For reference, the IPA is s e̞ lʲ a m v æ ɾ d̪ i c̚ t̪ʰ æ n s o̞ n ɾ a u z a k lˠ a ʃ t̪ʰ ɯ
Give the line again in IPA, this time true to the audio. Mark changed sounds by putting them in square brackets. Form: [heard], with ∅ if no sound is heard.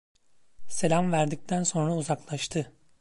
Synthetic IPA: s e̞ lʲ a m v æ ɾ d̪ i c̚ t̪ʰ æ n s o̞ n ɾ a u z a k lˠ a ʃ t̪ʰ ɯ